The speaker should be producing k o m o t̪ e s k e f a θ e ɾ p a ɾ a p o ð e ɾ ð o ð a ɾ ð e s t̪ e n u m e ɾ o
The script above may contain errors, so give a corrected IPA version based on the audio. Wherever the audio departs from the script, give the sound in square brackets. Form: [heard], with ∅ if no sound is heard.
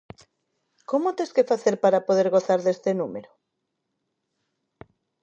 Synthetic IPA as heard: k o m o t̪ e s k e f a θ e ɾ p a ɾ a p o ð e ɾ [ɣ] o [θ] a ɾ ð e s t̪ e n u m e ɾ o